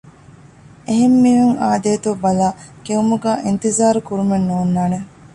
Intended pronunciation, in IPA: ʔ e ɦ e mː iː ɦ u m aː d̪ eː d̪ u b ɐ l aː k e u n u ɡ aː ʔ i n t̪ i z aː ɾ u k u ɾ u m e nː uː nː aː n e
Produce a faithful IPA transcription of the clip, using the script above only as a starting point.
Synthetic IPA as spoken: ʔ e ɦ e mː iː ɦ u ŋ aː d̪ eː t̪ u b ɐ l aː k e u m u ɡ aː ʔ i n t̪ i z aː ɾ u k u ɾ u m e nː uː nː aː n e